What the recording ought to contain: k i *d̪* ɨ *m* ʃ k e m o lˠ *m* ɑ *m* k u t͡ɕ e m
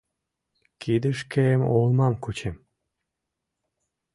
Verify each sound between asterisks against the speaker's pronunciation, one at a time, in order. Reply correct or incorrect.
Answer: correct, incorrect: none, correct, correct

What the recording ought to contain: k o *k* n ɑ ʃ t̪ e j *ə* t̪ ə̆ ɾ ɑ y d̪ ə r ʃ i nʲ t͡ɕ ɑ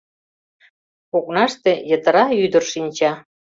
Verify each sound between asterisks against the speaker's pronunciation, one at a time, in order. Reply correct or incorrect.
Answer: correct, correct

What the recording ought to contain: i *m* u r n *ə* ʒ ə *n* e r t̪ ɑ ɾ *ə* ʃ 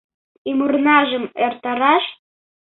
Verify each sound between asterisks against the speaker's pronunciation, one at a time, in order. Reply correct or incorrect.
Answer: correct, incorrect: ɑ, incorrect: m, incorrect: ɑ

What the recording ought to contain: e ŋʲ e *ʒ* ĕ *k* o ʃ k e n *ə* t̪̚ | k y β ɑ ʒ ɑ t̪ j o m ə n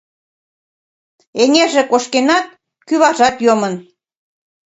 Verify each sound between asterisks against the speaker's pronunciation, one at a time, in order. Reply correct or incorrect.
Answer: correct, correct, incorrect: ɑ

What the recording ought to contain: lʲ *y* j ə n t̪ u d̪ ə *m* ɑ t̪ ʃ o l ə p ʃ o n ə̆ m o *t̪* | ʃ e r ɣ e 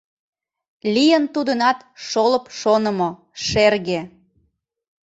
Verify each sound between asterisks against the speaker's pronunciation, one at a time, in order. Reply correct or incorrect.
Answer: incorrect: i, incorrect: n, incorrect: none

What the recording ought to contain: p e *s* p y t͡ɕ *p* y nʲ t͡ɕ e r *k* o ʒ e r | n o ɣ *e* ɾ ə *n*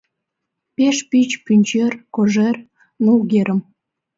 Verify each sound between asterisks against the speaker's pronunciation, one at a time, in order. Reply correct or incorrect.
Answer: incorrect: ʃ, correct, correct, correct, incorrect: m

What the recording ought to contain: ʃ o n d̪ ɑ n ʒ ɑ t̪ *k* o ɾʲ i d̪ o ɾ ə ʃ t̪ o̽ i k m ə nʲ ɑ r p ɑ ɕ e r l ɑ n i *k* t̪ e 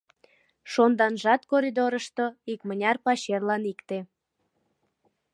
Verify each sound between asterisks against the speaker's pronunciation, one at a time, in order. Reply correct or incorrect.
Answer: correct, correct

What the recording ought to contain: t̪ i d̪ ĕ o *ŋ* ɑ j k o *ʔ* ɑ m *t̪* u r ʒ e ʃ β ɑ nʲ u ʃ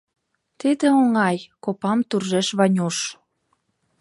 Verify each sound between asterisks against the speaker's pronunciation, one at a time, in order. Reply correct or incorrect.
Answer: correct, incorrect: p, correct

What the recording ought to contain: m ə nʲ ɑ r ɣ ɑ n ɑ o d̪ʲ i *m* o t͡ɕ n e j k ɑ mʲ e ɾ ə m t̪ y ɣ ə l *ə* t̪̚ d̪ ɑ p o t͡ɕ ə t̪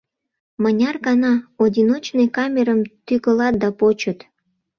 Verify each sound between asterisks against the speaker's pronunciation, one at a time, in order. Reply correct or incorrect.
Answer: incorrect: n, incorrect: ɑ

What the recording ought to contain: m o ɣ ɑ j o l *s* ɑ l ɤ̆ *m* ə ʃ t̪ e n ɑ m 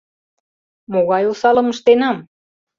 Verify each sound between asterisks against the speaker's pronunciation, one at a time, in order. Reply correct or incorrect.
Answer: correct, correct

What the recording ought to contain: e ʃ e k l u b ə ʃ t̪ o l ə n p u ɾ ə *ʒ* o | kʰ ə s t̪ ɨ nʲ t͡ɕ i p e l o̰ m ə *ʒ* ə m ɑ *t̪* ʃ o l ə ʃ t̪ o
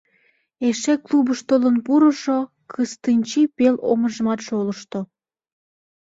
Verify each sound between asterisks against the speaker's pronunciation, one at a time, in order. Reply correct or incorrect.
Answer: incorrect: ʃ, correct, correct

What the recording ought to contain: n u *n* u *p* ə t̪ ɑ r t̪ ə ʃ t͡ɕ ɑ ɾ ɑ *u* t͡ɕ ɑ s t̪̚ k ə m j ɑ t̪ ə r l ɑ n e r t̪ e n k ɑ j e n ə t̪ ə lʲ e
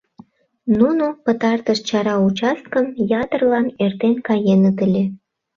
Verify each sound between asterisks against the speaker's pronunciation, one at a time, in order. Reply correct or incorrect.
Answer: correct, correct, correct

